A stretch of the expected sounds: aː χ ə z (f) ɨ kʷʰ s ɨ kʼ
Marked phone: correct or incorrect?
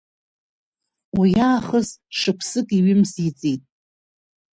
incorrect